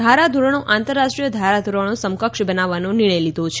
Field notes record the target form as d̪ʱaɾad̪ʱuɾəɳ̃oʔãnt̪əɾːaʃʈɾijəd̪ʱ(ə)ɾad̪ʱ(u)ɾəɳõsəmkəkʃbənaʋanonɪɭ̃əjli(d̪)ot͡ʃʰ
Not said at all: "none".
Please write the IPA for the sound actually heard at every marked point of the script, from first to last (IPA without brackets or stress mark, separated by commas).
a, u, d̪